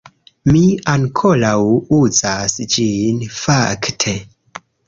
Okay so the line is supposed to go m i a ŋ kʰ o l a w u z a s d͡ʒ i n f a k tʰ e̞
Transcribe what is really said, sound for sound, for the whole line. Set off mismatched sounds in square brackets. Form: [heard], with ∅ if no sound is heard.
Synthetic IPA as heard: m i a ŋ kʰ o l a w u z a s d͡ʒ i n f a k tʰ e̞